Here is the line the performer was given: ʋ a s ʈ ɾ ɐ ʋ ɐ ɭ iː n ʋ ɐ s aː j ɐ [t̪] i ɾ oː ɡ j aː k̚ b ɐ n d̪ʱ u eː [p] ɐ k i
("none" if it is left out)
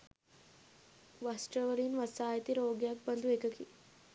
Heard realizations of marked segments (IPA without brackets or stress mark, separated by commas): t̪, k